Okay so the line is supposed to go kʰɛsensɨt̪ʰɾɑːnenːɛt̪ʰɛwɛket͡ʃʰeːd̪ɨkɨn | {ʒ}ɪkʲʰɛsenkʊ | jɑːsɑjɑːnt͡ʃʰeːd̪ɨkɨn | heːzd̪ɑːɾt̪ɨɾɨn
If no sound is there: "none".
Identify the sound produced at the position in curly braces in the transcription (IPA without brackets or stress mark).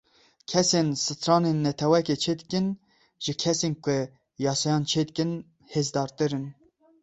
ʒ